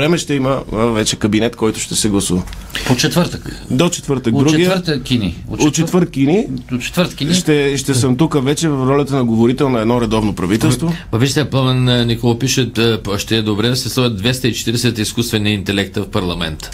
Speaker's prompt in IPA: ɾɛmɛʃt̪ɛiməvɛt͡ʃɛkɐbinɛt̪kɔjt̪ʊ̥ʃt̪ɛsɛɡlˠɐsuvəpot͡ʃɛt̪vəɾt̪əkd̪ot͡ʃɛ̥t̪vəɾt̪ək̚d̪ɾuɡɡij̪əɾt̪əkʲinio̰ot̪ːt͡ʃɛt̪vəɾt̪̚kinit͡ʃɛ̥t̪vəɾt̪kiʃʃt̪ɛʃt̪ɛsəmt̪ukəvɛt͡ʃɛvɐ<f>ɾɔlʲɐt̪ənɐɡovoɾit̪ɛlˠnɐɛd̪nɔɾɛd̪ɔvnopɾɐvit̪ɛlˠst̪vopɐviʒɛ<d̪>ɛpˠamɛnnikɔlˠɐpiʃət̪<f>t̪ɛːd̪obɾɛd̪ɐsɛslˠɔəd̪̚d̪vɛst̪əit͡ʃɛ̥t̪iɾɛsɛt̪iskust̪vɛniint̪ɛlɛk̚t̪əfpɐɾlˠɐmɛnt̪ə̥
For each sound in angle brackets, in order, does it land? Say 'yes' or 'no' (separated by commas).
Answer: yes, no, no